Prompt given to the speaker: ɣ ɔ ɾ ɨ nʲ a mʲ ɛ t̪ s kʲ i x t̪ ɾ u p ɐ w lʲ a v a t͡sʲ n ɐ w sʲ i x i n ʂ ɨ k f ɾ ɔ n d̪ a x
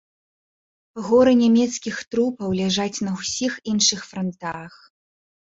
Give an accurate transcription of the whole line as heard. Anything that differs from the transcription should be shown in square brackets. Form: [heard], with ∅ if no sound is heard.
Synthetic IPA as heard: ɣ ɔ ɾ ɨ nʲ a mʲ ɛ t̪ s kʲ i x t̪ ɾ u p ɐ w lʲ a [ʐ] a t͡sʲ n ɐ w sʲ i x i n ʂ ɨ [x] f ɾ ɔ n [t̪] a x

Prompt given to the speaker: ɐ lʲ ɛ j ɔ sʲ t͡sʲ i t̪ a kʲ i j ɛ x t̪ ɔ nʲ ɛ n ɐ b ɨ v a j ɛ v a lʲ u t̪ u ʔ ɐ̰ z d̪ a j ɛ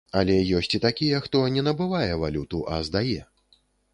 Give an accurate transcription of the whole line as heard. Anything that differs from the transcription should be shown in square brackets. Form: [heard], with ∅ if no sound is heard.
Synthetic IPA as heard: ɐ lʲ ɛ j ɔ sʲ t͡sʲ i t̪ a kʲ i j ɛ x t̪ ɔ nʲ ɛ n ɐ b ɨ v a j ɛ v a lʲ u t̪ u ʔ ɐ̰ z d̪ a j ɛ

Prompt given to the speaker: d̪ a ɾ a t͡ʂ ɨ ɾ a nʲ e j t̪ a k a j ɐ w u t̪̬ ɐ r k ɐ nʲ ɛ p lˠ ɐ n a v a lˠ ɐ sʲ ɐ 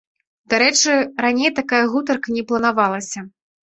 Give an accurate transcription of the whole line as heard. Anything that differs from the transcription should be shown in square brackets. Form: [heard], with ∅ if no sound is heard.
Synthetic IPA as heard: d̪ a ɾ [ɛ] t͡ʂ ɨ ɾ a nʲ e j t̪ a k a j ɐ [ɣ] u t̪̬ ɐ r k ɐ nʲ ɛ p lˠ ɐ n a v a lˠ ɐ sʲ ɐ

